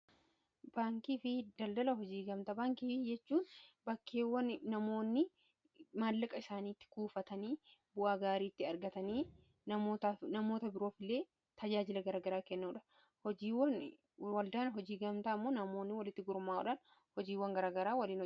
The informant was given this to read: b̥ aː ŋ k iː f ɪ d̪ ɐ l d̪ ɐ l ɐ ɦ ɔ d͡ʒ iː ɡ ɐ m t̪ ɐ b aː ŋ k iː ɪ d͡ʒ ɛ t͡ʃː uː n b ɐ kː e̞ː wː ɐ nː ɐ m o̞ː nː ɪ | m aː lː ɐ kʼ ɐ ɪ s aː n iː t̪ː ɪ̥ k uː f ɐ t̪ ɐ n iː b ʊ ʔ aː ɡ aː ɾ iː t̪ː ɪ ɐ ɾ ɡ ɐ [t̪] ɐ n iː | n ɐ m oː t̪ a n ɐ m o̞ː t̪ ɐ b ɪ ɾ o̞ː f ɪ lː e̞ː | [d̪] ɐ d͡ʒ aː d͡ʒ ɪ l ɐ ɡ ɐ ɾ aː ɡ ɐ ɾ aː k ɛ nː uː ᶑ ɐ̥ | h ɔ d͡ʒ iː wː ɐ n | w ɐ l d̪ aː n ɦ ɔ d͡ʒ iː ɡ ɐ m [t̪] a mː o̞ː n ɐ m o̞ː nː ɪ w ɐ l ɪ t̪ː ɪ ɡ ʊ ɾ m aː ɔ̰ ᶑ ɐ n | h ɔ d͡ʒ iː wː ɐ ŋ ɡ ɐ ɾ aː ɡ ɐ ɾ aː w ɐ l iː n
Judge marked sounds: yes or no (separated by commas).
yes, no, yes